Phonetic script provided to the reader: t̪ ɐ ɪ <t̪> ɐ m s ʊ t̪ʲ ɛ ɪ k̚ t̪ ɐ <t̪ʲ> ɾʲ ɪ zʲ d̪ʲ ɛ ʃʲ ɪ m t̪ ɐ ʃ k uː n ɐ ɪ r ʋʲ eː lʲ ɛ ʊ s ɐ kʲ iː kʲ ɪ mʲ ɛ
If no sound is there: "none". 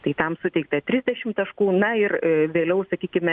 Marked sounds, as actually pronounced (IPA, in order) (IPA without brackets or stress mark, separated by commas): t̪, t̪ʲ